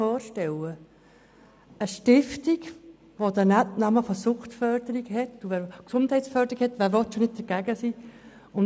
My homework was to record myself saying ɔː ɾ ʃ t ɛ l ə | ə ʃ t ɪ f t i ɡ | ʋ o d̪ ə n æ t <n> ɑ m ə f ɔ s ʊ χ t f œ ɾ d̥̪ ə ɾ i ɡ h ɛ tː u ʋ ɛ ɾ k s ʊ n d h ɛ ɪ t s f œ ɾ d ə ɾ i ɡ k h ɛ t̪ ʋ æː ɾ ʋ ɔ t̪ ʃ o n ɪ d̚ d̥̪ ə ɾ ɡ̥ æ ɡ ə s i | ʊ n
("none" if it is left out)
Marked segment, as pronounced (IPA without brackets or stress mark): n